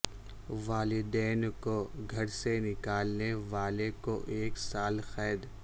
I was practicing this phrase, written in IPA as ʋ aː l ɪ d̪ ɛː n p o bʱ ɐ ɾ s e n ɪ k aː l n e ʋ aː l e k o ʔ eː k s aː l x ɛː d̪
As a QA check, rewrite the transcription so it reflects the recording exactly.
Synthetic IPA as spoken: ʋ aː l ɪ d̪ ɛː n k o ɡʱ ɐ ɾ s e n ɪ k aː l n e ʋ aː l e k o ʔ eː k s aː l x ɛː d̪